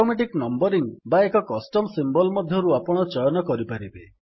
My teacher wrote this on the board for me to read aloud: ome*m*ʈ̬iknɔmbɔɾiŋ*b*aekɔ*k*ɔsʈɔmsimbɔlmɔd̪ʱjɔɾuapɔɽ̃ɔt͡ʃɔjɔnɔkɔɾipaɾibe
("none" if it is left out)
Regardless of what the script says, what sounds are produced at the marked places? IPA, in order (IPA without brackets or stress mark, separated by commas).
none, b, k